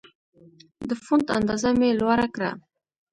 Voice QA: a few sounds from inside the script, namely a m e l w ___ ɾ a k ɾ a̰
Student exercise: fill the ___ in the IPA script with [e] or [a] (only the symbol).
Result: a